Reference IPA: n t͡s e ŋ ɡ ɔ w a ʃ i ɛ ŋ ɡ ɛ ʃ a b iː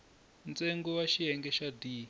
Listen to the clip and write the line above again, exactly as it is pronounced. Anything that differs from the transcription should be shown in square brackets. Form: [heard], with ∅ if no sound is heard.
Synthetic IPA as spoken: n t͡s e ŋ ɡ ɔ w a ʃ i ɛ ŋ ɡ ɛ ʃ a [d] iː